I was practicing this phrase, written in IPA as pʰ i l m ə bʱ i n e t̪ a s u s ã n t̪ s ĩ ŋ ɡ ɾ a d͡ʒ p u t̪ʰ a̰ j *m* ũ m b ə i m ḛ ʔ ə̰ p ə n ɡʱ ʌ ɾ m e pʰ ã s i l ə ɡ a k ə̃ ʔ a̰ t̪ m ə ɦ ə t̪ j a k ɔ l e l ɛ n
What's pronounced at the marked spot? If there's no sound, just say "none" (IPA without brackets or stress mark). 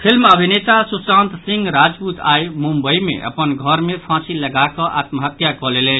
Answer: m